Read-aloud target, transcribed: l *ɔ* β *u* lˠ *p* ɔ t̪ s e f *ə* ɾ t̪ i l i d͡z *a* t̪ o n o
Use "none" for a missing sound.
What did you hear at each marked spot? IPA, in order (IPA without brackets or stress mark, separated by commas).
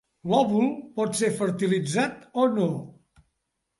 ɔ, u, p, ə, a